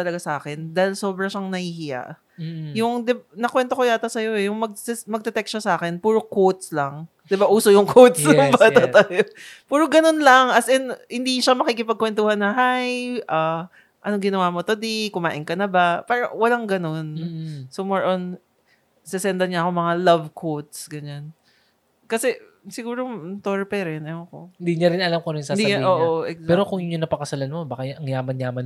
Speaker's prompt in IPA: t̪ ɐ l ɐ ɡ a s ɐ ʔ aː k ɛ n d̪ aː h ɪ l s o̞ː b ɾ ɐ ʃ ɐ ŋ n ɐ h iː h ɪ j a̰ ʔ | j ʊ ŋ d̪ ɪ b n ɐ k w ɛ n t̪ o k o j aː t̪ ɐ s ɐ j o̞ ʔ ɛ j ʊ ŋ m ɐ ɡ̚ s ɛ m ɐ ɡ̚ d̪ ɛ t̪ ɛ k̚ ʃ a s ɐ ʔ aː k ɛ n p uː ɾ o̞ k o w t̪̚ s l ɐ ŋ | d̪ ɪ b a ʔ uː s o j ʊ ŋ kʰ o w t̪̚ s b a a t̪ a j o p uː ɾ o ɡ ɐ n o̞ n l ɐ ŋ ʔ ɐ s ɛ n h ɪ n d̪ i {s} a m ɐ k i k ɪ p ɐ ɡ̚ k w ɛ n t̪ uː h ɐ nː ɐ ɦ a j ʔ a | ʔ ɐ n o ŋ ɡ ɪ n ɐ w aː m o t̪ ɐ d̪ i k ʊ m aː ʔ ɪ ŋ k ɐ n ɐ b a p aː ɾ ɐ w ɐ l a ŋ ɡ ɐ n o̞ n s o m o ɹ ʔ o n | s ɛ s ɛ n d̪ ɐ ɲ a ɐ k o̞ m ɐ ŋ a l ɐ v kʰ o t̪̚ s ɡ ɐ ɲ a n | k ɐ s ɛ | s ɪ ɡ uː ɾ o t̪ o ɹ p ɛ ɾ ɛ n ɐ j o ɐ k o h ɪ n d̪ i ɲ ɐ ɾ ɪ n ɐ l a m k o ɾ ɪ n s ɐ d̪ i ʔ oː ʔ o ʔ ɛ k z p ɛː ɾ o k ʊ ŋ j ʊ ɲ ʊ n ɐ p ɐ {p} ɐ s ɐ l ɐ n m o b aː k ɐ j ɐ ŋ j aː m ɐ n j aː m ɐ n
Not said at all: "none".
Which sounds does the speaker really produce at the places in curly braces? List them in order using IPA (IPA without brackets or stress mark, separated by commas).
ʃ, k